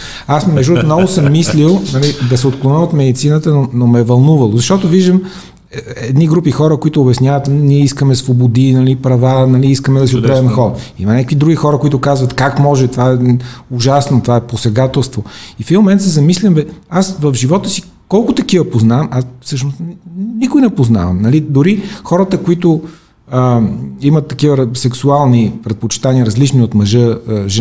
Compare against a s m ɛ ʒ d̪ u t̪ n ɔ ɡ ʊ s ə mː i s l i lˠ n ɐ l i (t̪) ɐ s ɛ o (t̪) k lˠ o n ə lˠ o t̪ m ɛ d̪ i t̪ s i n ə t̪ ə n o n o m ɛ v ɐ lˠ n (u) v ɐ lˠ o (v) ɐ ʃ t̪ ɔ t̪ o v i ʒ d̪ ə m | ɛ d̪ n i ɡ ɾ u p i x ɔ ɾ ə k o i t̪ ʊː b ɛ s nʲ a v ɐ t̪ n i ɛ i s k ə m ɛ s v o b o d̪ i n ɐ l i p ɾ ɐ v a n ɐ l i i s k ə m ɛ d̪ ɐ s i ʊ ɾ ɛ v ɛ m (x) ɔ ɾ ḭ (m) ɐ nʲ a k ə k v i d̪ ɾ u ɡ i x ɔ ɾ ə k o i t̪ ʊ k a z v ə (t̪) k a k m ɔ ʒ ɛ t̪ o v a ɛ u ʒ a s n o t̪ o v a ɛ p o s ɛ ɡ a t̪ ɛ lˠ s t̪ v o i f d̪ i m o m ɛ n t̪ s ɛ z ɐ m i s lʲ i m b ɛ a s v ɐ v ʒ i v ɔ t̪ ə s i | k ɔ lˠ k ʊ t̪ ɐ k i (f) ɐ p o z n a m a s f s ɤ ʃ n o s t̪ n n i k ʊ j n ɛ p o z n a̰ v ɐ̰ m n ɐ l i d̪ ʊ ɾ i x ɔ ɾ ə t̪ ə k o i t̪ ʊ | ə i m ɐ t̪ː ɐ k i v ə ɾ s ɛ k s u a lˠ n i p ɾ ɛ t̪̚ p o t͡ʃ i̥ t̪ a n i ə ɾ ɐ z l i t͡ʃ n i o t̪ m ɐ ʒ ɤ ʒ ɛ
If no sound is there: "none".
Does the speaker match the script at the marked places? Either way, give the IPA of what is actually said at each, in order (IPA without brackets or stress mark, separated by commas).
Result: d̪, t̪, u, z, x, m, t̪, v